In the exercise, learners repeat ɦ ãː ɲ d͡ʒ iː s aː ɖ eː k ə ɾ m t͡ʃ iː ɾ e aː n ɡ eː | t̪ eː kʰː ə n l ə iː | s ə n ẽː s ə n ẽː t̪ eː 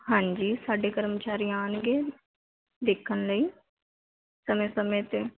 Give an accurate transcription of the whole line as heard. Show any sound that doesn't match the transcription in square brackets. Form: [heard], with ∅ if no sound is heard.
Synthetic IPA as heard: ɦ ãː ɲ d͡ʒ iː s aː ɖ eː k ə ɾ m t͡ʃ [aː] ɾ [i] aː n ɡ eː | [d̪] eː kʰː ə n l ə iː | s ə [m] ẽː s ə [m] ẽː t̪ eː